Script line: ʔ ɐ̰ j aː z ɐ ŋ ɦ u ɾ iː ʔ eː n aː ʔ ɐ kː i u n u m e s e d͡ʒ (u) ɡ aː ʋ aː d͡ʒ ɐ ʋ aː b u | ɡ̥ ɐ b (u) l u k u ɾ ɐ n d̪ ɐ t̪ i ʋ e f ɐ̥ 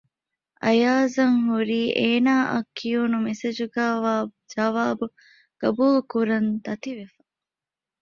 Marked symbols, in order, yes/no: yes, no

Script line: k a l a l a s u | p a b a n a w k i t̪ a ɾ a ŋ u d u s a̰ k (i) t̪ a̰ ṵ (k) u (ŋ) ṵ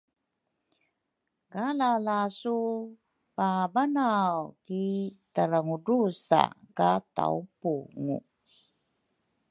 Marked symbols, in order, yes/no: no, no, yes

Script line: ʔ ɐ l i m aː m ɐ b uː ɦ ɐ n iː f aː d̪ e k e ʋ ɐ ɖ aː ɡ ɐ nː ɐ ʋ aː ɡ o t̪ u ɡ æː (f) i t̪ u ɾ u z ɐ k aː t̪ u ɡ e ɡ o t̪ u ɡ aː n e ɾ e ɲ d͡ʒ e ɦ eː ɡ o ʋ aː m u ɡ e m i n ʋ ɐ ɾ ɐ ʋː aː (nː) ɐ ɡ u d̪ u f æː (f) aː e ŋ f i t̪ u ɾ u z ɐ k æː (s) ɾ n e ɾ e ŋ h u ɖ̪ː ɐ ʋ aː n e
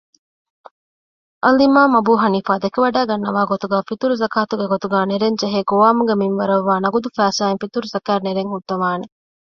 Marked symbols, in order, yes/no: yes, no, no, no

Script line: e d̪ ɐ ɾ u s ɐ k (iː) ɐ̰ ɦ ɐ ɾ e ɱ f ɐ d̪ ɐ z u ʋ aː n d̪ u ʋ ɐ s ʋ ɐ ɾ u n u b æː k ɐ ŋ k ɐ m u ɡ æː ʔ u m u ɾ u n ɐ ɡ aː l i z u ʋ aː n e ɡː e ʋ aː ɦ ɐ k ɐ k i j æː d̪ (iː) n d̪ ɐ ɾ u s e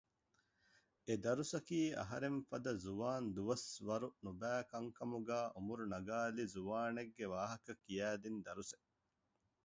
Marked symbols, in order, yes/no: yes, no

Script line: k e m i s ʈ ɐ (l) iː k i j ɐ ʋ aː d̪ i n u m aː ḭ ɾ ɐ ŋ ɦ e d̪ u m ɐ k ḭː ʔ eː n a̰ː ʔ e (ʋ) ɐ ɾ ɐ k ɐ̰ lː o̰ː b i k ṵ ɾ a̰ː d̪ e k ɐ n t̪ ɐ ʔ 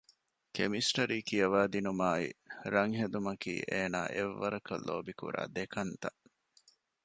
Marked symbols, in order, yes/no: no, no

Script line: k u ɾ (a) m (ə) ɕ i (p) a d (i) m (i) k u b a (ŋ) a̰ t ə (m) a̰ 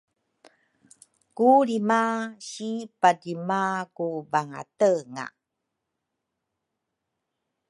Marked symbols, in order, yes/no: no, no, yes, yes, no, yes, no

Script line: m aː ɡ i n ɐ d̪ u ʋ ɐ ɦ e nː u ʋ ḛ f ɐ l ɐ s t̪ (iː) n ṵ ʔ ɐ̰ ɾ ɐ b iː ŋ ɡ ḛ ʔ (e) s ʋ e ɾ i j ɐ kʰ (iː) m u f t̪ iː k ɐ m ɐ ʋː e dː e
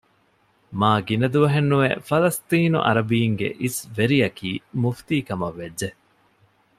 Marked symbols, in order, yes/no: yes, no, yes

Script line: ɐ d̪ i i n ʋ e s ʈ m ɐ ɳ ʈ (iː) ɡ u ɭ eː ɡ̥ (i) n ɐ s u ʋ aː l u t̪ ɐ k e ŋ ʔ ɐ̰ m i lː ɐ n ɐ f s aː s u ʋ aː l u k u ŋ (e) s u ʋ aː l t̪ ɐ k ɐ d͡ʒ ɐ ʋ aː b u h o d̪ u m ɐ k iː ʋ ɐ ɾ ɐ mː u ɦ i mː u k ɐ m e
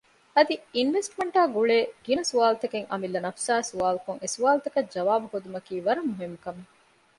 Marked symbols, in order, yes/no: no, yes, yes

